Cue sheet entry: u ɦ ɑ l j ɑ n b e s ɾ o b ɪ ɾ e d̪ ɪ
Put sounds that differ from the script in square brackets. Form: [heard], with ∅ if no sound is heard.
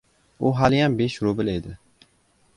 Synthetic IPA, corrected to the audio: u ɦ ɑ l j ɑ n b e [ʃ] ɾ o b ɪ [l] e d̪ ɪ

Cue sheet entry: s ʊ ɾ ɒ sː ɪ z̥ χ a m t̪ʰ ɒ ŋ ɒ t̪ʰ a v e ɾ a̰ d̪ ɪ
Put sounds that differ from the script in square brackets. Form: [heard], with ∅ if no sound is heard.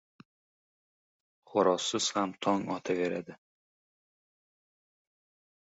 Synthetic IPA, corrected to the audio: [χ] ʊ ɾ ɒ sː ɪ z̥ [h] a m t̪ʰ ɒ ŋ ɒ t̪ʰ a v e ɾ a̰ d̪ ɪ

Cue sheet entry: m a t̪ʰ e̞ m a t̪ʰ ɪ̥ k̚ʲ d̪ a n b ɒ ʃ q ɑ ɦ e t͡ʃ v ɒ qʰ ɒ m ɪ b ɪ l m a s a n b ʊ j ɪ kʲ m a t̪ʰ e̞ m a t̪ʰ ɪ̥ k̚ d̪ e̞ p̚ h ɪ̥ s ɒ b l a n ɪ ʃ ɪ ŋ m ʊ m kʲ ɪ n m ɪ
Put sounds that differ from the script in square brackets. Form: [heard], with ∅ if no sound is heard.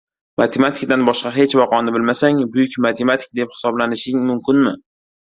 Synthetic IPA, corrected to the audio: m a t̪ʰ e̞ m a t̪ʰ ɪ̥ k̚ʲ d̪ a n b ɒ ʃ q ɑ ɦ e t͡ʃ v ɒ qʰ ɒ [n] ɪ b ɪ l m a s a [ŋ] b ʊ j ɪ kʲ m a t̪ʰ e̞ m a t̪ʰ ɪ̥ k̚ d̪ e̞ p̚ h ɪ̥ s ɒ b l a n ɪ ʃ ɪ ŋ m ʊ m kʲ ɪ n m ɪ

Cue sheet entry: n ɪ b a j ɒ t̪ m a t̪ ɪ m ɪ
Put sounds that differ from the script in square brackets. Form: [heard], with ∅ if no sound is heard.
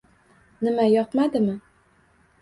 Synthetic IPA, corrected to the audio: n ɪ [m] a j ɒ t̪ m a [d̪] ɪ m ɪ

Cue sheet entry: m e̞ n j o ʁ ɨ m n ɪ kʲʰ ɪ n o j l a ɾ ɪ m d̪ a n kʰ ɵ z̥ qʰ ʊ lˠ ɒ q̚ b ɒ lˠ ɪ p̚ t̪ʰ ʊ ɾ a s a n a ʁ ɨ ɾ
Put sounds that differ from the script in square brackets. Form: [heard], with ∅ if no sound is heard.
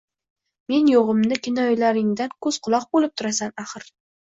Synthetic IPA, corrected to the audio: m e̞ n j o ʁ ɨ m n ɪ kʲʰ ɪ n [ɒ] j l a ɾ ɪ [ŋ] d̪ a n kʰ ɵ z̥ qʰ ʊ lˠ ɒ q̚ b [o] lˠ ɪ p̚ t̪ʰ ʊ ɾ a s a n a [χ] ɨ ɾ

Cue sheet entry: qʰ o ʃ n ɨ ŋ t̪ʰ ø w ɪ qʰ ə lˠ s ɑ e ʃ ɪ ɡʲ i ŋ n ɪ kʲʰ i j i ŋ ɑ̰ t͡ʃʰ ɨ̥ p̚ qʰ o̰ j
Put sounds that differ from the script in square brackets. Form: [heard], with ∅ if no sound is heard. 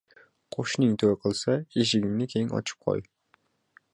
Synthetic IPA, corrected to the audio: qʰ o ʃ n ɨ ŋ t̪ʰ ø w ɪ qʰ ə lˠ s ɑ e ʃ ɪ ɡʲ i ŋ n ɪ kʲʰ [e] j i ŋ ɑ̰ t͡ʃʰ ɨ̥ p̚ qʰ o̰ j

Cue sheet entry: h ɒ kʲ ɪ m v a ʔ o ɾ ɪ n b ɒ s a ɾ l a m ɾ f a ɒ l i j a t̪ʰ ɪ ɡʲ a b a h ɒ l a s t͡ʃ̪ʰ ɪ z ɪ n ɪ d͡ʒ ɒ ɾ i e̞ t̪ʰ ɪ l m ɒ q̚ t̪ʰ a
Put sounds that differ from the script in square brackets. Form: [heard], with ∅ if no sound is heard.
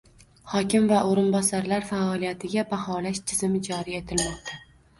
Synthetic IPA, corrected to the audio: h ɒ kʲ ɪ m v a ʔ o ɾ ɪ n b ɒ s a ɾ l a [∅] ɾ f a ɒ l i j a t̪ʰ ɪ ɡʲ a b a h ɒ l a [ʃ] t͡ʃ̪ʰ ɪ z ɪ [m] ɪ d͡ʒ ɒ ɾ i e̞ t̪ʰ ɪ l m ɒ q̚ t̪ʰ a

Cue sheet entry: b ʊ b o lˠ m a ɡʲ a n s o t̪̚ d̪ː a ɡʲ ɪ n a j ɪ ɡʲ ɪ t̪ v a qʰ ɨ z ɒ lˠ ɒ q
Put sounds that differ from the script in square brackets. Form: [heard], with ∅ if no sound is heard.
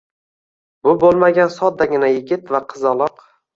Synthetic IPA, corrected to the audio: b ʊ b o lˠ m a ɡʲ a n s [ɒ] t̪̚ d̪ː a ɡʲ ɪ n a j ɪ ɡʲ ɪ t̪ v a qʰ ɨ z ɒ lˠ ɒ q

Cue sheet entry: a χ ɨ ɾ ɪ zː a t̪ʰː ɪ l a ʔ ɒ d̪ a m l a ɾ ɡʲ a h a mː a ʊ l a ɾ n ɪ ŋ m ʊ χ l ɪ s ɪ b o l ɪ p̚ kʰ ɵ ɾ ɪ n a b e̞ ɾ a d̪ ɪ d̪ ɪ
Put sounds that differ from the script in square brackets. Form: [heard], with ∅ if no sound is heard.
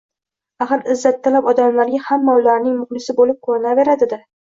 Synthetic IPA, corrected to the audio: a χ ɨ ɾ ɪ zː a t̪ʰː ɪ l a [p] ɒ d̪ a m l a ɾ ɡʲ a h a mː a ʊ l a ɾ n ɪ ŋ m ʊ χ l ɪ s ɪ b o l ɪ p̚ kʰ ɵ ɾ ɪ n a [v] e̞ ɾ a d̪ ɪ d̪ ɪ

